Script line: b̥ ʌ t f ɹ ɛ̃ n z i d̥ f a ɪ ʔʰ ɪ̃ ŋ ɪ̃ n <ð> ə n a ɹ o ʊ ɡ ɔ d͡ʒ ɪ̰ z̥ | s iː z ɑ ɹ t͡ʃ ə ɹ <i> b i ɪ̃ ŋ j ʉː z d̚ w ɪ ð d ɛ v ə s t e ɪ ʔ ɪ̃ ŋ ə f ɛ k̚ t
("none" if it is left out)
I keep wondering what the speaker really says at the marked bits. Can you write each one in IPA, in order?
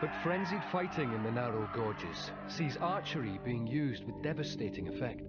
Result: ð, i

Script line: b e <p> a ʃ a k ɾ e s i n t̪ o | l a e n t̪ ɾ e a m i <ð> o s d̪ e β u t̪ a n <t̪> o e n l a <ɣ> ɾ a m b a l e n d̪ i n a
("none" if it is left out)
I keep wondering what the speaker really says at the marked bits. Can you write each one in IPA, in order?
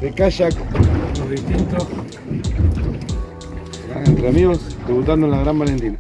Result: k, ɣ, d̪, ɣ

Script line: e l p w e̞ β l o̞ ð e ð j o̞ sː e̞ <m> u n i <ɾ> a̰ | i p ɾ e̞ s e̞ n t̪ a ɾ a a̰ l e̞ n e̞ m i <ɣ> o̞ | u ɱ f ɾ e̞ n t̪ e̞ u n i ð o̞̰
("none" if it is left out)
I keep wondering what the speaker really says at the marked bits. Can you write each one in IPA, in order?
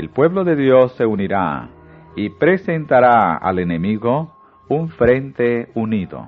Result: none, ɾ, ɣ

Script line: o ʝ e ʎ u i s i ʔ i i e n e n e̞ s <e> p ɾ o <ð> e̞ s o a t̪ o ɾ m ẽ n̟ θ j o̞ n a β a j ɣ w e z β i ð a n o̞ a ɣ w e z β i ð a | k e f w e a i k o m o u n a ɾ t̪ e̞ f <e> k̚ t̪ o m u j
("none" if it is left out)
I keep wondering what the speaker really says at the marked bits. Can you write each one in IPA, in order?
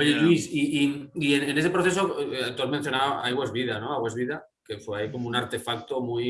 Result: e, θ, a

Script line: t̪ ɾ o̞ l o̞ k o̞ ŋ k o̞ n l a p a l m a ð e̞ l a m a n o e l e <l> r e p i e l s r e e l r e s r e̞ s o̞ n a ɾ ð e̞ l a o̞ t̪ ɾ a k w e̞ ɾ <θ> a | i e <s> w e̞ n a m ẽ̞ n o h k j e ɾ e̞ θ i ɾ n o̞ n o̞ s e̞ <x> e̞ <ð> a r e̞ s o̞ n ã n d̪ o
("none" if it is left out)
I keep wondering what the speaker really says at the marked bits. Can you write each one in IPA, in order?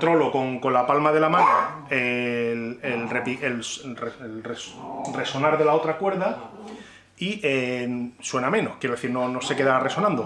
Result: l, ð, s, k, ð

